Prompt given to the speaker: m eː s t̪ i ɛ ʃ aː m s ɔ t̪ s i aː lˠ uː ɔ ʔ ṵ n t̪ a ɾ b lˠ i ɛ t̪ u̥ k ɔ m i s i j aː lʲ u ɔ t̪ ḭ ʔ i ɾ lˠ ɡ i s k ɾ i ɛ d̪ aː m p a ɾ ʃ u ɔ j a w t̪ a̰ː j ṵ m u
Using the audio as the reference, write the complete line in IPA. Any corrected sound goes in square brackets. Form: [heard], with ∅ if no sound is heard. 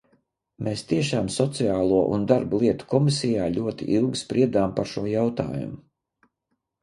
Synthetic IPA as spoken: m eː s t̪ i ɛ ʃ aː m s ɔ t̪ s i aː lˠ [u] ɔ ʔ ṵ n [d̪] a ɾ b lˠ i ɛ t̪ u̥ k ɔ m i s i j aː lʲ u ɔ t̪ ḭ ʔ i [∅] lˠ ɡ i s [p] ɾ i ɛ d̪ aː m p a ɾ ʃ u ɔ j a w t̪ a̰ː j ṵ m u